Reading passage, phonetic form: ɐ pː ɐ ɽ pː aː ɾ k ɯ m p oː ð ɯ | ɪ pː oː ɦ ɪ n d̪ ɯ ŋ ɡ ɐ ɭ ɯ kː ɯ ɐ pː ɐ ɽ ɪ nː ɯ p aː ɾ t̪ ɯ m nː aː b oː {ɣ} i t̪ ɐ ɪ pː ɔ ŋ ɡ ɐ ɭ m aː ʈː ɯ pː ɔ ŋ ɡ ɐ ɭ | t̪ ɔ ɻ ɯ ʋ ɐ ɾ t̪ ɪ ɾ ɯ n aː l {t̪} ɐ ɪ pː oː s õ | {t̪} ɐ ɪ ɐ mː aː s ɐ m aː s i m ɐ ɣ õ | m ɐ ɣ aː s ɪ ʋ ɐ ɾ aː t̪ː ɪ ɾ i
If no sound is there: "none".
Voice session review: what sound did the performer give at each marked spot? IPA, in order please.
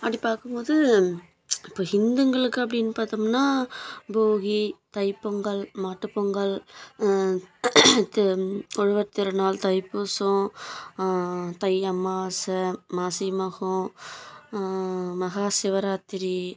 ɣ, t̪, t̪

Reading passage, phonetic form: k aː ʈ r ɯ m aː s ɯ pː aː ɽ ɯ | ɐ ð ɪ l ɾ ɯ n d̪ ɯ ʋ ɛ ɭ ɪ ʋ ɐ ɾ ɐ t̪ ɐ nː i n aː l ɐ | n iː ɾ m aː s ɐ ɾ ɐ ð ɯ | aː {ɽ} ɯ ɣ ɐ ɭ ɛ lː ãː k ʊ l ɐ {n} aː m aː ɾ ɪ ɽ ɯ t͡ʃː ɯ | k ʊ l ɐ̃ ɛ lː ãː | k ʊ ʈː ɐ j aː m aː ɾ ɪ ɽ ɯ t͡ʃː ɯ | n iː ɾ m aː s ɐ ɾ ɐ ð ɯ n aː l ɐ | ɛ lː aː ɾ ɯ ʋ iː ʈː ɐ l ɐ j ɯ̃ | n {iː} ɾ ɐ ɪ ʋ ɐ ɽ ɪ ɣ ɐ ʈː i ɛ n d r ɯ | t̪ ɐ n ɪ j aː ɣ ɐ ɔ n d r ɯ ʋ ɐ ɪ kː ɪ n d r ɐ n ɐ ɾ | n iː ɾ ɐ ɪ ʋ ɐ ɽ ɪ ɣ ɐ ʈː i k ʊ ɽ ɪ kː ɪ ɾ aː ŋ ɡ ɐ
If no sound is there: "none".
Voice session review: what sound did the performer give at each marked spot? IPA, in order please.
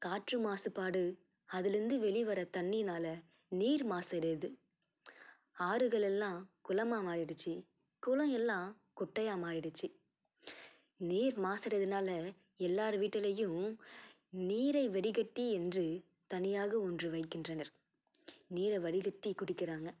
ɾ, m, iː

